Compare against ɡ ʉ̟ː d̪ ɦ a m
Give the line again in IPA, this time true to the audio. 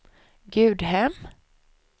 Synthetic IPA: ɡ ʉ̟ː d̪ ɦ ɛ m